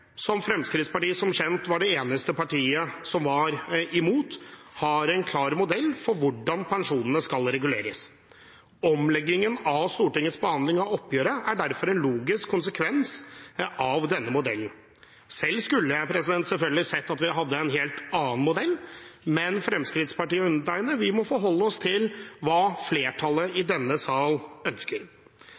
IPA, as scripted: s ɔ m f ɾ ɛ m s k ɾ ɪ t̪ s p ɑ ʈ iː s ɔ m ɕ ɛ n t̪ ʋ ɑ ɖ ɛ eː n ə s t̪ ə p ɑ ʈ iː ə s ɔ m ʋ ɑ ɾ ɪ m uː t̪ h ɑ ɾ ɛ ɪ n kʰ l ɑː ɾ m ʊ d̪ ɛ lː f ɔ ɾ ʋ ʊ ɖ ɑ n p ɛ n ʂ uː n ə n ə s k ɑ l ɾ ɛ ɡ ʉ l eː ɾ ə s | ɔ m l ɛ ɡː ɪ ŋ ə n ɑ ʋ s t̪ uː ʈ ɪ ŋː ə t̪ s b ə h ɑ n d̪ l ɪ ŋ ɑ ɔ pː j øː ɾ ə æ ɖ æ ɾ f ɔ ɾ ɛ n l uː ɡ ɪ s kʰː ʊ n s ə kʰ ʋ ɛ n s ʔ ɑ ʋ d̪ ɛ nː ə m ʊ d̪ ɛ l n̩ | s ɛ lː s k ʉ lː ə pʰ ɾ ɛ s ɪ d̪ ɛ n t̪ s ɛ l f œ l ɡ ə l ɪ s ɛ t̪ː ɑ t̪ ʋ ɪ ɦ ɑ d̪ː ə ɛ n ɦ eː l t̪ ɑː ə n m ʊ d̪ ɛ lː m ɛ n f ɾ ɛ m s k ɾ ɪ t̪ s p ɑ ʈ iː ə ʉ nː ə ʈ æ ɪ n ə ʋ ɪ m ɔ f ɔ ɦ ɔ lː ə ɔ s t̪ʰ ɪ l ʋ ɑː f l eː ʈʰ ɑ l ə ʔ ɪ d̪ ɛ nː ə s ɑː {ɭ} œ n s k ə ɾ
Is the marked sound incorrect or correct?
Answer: incorrect: l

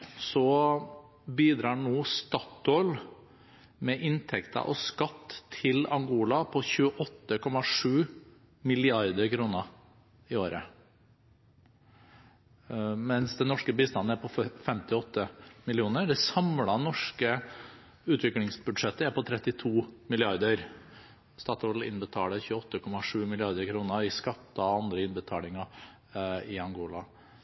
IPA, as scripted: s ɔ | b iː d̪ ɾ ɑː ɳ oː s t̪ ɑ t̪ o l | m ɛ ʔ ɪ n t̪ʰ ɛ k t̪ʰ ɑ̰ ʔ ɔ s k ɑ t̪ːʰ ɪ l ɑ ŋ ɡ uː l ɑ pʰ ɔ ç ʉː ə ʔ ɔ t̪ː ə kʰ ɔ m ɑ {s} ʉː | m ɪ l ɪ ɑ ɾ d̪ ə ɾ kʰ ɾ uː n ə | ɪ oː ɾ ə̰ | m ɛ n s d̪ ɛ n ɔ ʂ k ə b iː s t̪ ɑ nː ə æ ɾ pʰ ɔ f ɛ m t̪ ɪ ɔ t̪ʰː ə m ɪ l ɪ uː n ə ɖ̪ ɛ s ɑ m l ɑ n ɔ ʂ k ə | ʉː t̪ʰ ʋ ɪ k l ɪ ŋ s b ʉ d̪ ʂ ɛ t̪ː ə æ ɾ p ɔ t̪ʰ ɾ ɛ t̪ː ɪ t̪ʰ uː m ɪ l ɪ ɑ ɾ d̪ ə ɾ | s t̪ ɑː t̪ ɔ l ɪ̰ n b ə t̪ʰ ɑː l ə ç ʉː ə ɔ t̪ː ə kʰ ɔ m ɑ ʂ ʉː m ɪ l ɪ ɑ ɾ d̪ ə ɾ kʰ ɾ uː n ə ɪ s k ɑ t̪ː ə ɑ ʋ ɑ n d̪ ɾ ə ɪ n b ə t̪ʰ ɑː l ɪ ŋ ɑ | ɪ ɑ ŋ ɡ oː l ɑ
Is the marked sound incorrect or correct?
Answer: incorrect: ʂ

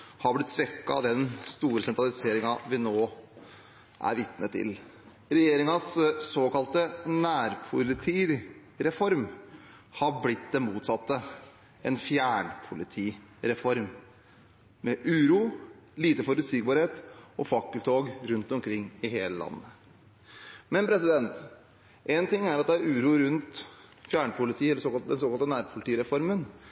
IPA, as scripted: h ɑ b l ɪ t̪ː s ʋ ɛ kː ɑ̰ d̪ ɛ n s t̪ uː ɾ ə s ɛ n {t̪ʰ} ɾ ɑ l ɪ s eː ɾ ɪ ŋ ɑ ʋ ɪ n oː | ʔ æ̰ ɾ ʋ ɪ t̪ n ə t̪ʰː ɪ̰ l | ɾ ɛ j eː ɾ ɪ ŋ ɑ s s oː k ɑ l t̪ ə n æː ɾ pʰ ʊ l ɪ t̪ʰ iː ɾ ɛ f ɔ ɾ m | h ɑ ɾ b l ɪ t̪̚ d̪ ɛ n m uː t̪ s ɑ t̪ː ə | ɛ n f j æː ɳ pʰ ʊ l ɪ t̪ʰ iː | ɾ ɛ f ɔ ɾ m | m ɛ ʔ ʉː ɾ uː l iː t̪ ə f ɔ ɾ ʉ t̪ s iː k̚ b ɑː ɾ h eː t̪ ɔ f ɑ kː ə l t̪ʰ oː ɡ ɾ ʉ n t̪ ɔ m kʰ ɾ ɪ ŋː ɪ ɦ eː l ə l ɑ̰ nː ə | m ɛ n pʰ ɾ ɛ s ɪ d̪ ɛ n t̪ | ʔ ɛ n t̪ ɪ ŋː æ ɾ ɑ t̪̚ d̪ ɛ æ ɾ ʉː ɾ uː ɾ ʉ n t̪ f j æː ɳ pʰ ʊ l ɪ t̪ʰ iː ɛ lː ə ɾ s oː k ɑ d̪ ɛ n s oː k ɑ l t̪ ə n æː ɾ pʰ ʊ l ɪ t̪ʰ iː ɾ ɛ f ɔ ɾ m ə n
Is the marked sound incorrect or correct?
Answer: incorrect: t̪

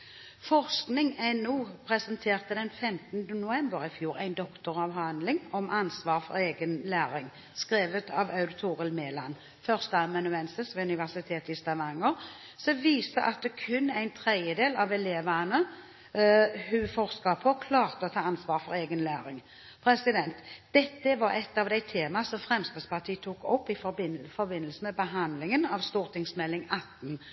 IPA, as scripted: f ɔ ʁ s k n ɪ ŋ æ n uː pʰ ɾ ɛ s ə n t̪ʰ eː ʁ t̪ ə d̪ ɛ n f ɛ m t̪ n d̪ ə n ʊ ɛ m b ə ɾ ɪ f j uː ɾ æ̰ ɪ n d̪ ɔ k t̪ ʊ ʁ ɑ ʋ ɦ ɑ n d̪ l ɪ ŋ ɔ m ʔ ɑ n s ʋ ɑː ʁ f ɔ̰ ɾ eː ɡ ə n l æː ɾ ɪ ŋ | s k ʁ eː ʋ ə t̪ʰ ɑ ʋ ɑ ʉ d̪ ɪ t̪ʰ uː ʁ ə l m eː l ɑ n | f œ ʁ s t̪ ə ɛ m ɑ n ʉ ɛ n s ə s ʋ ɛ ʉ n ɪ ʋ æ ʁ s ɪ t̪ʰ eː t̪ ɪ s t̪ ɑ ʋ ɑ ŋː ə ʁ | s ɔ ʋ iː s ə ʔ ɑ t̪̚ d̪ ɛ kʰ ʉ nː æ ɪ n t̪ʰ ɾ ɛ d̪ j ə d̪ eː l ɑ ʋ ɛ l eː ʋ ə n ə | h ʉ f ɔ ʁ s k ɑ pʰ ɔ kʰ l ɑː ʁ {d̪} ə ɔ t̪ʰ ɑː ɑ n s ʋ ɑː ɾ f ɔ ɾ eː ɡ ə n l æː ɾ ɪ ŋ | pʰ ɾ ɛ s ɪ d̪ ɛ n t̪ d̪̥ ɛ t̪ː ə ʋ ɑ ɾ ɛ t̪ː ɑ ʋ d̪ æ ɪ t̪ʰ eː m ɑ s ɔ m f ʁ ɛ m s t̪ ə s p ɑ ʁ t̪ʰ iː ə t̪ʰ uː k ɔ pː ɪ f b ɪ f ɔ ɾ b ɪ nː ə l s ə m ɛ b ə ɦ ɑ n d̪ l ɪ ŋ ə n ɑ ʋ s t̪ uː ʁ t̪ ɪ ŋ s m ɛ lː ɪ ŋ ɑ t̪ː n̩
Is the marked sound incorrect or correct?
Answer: incorrect: t̪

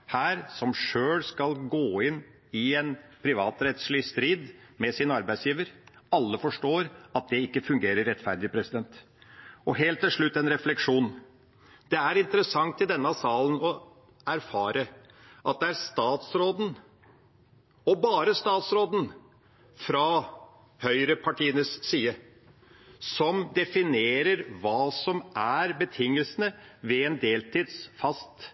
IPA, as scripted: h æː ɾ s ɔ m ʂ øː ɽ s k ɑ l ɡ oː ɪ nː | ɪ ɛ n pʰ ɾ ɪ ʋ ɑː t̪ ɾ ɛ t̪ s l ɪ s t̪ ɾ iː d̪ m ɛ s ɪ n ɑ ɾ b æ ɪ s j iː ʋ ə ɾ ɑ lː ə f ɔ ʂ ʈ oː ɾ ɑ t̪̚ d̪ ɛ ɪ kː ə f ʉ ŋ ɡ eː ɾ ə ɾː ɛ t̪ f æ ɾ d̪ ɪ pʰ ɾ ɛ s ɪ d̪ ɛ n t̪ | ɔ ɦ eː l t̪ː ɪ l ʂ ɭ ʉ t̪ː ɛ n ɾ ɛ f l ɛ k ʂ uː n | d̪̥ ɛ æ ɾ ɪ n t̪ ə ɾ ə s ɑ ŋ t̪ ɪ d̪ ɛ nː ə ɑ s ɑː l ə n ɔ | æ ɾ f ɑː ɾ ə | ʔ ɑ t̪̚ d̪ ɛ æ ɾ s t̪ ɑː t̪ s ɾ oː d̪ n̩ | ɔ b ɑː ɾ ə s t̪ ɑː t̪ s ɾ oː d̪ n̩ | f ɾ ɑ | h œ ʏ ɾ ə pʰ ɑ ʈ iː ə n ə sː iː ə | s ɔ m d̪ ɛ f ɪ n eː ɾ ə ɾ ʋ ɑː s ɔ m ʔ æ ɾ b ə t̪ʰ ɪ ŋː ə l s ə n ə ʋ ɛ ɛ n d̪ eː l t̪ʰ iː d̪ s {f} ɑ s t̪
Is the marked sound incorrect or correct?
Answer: correct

